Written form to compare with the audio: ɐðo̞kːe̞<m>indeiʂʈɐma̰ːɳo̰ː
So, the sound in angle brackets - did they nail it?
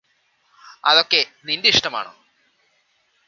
no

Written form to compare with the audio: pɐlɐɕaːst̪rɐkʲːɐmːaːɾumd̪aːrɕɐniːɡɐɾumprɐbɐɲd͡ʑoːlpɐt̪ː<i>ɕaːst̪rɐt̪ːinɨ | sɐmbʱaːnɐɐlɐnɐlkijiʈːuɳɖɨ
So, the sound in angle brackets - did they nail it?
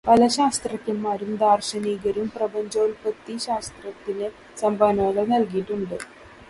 yes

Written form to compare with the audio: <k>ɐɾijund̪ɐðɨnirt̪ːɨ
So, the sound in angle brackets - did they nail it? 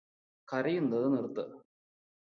yes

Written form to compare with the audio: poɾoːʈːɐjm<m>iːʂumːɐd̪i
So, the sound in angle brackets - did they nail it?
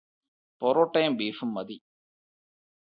no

